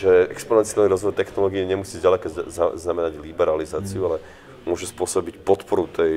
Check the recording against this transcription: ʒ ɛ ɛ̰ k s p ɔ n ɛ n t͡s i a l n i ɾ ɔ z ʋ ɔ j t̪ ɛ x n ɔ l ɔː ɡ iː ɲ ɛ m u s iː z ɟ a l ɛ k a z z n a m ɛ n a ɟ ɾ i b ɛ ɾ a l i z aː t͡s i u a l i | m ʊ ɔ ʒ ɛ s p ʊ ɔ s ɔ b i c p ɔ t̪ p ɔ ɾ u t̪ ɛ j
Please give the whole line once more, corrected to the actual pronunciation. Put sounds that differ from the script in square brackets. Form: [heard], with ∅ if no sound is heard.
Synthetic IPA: ʒ ɛ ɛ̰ k s p ɔ n ɛ n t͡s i a l n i ɾ ɔ z ʋ ɔ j t̪ ɛ x n ɔ l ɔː ɡ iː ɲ ɛ m u s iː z ɟ a l ɛ k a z z n a m ɛ n a ɟ [l] i b ɛ ɾ a l i z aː t͡s i u a l [ɛ] | m ʊ ɔ ʒ ɛ s p ʊ ɔ s ɔ b i c p ɔ t̪ p ɔ ɾ u t̪ ɛ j